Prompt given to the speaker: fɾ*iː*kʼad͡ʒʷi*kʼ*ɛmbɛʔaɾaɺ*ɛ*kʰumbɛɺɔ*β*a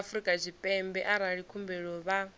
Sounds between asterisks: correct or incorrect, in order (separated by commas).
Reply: incorrect, incorrect, incorrect, correct